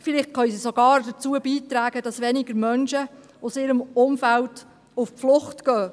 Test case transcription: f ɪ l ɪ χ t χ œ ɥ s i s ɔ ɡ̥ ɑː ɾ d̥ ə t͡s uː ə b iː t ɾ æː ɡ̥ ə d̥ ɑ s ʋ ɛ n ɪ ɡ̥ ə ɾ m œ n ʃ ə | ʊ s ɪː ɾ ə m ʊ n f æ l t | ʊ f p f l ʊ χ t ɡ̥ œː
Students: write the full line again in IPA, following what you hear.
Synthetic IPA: f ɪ l ɪ χ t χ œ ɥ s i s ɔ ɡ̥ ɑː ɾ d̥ ə t͡s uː ə b iː t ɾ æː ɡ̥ ə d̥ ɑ s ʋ ɛ n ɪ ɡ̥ ə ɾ m œ n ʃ ə | ʊ s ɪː ɾ ə m ʊ m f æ l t | ʊ f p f l ʊ χ t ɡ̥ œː